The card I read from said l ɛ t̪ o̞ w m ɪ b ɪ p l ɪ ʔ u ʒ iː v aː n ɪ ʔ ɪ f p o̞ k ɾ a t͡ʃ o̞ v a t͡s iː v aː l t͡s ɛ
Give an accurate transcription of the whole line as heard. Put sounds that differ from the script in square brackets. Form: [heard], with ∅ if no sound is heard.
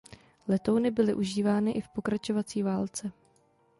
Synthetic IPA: l ɛ t̪ o̞ w [n] ɪ b ɪ [∅] l ɪ ʔ u ʒ iː v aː n ɪ ʔ ɪ f p o̞ k ɾ a t͡ʃ o̞ v a t͡s iː v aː l t͡s ɛ